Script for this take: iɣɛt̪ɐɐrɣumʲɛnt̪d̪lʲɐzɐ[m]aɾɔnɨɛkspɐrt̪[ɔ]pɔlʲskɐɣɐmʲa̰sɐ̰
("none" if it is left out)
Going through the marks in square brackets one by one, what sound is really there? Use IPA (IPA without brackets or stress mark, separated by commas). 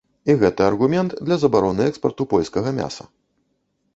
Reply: b, u